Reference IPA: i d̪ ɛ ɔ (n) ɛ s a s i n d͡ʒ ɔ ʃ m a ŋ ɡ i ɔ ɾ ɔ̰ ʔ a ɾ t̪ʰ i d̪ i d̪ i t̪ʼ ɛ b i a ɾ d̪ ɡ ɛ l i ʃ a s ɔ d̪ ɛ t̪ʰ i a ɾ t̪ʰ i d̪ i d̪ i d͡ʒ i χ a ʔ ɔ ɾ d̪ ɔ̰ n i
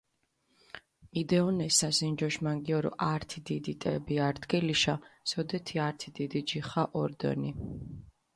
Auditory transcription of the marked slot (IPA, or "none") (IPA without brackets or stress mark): n